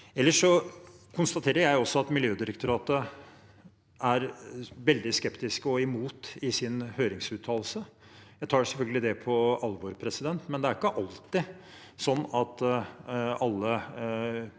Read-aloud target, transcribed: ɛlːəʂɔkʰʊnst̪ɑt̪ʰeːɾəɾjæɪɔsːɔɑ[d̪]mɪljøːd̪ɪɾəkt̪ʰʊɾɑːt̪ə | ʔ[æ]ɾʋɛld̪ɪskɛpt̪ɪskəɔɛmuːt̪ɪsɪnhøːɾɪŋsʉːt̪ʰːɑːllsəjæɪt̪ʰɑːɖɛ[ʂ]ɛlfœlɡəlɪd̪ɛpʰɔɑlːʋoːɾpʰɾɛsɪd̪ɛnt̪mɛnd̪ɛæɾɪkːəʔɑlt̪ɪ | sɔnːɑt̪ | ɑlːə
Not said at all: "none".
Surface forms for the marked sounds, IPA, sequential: t̪, æ, s

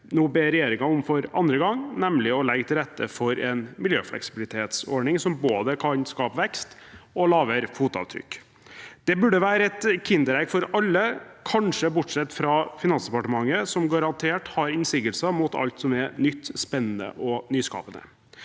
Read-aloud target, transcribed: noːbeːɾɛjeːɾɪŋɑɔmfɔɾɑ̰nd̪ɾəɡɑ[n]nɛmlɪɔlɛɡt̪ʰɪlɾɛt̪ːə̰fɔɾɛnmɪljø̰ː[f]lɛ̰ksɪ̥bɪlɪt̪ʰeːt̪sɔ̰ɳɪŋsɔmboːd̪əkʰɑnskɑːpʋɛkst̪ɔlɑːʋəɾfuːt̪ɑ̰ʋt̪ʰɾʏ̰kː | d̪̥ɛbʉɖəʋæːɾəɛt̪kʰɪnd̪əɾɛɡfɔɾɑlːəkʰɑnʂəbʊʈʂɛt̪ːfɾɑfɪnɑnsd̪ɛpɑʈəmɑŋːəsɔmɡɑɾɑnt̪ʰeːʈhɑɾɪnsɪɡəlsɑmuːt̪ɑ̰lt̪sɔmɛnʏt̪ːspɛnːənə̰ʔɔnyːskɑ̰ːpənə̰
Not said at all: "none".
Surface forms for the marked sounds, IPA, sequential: ŋ, f

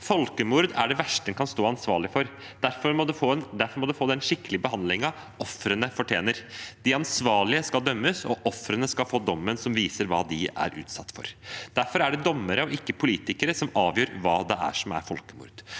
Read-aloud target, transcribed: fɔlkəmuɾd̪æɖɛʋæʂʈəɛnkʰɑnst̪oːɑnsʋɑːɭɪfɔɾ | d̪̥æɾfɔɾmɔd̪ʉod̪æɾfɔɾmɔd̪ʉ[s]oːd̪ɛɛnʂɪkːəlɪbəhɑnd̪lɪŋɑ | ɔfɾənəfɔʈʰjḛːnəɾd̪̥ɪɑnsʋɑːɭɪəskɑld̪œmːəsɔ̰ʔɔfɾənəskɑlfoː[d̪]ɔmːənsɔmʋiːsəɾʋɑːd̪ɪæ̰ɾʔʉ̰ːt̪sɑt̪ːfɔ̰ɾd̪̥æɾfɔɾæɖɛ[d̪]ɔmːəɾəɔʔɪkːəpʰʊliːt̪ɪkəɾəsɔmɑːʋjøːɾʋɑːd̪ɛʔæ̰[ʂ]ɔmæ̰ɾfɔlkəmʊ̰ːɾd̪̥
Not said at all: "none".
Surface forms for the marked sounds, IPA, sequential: f, d̪, d̪, ʂ

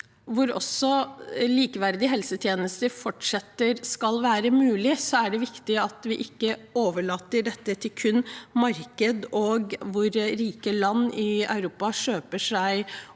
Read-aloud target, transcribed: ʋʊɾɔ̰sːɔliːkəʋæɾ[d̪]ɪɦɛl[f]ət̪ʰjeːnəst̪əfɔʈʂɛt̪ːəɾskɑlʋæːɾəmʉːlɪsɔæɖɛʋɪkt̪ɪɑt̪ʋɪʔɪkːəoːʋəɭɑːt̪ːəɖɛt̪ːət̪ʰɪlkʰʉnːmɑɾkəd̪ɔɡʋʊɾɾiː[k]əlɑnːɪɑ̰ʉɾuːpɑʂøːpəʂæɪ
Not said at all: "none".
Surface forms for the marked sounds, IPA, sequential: d̪, s, k

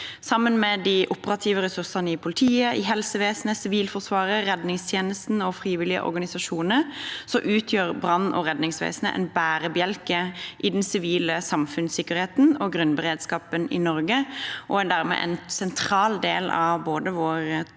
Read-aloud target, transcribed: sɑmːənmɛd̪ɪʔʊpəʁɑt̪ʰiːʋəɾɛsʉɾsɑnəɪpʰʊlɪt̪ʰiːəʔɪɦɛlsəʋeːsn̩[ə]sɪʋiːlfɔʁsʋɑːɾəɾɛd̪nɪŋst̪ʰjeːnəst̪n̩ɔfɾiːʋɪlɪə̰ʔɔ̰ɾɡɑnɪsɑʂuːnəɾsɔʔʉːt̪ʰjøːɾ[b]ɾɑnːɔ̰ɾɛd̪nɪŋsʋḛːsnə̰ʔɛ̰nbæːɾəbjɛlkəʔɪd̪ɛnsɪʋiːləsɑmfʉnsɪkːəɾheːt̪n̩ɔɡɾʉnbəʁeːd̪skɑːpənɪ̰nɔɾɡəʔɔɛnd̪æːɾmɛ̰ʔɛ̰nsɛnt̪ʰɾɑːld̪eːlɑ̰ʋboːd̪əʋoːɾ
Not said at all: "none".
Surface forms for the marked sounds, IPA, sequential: ə, b

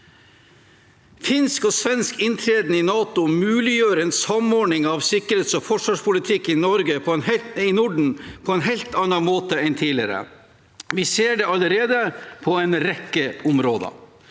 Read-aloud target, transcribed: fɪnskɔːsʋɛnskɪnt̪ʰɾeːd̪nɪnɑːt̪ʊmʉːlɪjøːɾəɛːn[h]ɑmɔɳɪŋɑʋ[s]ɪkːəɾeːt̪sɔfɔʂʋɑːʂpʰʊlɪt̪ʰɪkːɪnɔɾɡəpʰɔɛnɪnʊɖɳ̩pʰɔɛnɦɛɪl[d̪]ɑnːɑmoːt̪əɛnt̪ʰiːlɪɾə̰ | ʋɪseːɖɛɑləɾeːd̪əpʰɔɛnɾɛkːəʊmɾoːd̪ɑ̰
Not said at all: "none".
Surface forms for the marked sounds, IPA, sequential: s, s, t̪

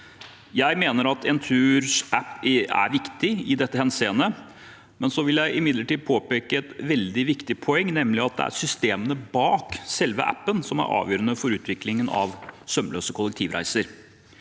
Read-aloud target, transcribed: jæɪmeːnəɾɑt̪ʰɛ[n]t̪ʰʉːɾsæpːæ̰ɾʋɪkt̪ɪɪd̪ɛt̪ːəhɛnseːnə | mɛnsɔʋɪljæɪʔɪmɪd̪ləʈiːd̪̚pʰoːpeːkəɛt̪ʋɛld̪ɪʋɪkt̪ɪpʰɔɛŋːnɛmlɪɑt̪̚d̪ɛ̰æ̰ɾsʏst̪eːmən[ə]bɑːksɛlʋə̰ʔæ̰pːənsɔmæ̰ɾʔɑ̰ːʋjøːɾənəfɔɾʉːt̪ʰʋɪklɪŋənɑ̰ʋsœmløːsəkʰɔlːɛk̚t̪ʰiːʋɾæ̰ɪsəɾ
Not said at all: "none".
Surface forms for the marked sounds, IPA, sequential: n, ə

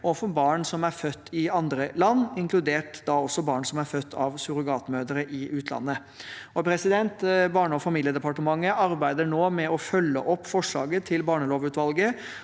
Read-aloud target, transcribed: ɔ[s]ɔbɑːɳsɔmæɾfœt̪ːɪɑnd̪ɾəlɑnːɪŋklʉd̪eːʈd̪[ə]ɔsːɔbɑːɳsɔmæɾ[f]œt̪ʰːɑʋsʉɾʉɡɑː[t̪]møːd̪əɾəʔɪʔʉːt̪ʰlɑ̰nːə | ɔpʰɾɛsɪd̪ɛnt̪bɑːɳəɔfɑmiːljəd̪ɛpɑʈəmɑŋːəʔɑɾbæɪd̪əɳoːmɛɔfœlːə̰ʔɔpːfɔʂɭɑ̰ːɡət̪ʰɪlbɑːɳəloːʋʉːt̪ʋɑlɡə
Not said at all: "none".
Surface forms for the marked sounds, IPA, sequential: f, ɑ, f, t̪

